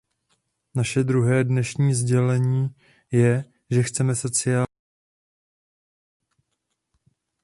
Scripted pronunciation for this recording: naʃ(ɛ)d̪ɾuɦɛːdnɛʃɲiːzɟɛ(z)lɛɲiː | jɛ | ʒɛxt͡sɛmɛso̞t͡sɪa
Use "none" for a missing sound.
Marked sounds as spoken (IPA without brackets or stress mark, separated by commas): ɛ, none